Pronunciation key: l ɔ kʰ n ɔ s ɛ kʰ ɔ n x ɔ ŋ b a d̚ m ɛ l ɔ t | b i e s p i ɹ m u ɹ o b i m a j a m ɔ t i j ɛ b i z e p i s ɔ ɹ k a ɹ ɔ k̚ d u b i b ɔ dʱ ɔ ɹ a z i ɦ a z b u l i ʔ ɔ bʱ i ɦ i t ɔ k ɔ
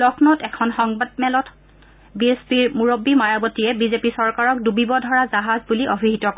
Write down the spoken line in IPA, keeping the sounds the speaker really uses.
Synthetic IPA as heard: l ɔ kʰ n ɔ t ɛ kʰ ɔ n x ɔ ŋ b a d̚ m ɛ l ɔ t | b i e s p i ɹ m u ɹ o b i m a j a b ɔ t i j ɛ b i z e p i s ɔ ɹ k a ɹ ɔ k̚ d u b i b ɔ dʱ ɔ ɹ a z a ɦ a z b u l i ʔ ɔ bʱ i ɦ i t ɔ k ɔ